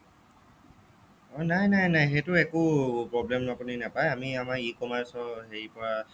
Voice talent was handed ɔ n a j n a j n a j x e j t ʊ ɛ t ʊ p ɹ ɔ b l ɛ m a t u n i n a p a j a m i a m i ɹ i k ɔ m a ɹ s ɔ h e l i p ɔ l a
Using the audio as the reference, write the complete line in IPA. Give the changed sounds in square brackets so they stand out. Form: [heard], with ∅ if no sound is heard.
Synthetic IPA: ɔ n a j n a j n a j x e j t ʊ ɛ [k] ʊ p ɹ ɔ b l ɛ m a [p] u n i n a p a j a m i a m [a] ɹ i k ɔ m a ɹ s ɔ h e [ɹ] i p ɔ [ɹ] a